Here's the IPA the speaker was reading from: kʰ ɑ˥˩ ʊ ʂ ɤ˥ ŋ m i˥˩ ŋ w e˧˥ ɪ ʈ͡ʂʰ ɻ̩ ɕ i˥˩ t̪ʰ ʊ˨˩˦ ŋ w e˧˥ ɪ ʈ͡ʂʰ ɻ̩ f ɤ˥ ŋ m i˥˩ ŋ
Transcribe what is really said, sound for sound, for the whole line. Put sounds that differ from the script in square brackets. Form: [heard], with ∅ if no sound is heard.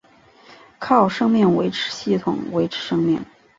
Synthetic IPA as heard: kʰ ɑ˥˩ ʊ ʂ ɤ˥ ŋ m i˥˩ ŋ w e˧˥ ɪ ʈ͡ʂʰ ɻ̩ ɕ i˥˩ t̪ʰ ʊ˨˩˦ ŋ w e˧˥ ɪ ʈ͡ʂʰ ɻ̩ [ʂ] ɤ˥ ŋ m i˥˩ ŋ